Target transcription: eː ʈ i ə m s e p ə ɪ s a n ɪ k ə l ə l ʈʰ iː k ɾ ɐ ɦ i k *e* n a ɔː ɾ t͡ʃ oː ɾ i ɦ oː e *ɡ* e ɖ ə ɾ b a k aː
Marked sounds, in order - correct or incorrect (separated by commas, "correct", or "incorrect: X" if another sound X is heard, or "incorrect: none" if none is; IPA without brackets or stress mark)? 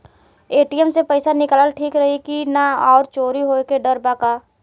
incorrect: i, incorrect: k